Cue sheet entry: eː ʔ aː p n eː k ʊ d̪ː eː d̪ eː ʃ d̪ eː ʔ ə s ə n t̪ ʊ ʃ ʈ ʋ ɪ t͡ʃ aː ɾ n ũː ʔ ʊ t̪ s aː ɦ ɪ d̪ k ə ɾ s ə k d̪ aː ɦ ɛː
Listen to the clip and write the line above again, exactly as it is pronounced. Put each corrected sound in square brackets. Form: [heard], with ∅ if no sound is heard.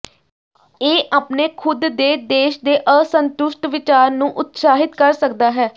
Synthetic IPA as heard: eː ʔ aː p n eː [kʰ] ʊ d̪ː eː d̪ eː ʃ d̪ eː ʔ ə s ə n t̪ ʊ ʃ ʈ ʋ ɪ t͡ʃ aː ɾ n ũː ʔ ʊ t̪ s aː ɦ ɪ [t̪] k ə ɾ s ə k d̪ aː ɦ ɛː